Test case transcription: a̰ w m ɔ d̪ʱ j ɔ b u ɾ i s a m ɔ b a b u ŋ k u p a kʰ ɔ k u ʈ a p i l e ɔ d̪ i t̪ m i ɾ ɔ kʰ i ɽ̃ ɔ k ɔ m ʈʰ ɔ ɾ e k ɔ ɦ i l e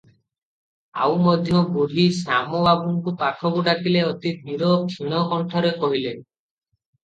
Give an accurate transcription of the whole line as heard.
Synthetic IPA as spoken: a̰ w m ɔ d̪ʱ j ɔ b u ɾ i s a m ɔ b a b u ŋ k u p a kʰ ɔ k u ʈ a k i l e ɔ t̪ i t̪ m i ɾ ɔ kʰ i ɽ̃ ɔ k ɔ ɳ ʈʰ ɔ ɾ e k ɔ ɦ i l e